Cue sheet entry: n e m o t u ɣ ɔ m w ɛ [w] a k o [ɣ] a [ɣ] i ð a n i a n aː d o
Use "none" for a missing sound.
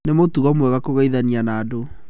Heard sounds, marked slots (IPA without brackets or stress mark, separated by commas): ɣ, ɣ, none